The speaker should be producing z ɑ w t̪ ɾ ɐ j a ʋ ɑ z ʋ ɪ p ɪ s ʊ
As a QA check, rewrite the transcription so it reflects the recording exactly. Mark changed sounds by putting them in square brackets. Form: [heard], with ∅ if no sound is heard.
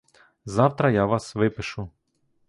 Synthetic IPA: z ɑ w t̪ ɾ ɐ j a ʋ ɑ [s] ʋ ɪ p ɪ [ʃ] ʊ